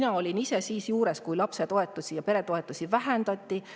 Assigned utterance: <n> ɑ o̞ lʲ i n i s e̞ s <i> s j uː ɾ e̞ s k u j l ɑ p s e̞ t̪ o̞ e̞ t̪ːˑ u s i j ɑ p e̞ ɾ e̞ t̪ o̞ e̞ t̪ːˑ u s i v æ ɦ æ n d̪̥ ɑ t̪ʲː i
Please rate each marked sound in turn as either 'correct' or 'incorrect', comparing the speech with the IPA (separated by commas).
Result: correct, incorrect